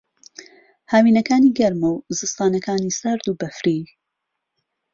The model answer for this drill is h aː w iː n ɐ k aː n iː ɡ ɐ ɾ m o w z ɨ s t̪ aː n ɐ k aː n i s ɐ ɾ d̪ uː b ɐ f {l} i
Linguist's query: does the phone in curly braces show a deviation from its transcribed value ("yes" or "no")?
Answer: yes